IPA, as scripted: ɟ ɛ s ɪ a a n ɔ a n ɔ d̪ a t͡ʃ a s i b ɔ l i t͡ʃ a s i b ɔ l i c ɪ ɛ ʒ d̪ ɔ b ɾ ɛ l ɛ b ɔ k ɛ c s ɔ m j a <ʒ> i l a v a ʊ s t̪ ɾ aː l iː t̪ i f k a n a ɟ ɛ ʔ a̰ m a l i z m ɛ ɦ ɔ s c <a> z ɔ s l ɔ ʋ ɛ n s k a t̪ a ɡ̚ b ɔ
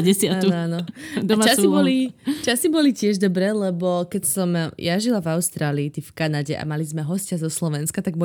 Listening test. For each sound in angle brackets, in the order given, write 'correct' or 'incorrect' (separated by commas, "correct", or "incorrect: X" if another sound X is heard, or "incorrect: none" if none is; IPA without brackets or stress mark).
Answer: correct, correct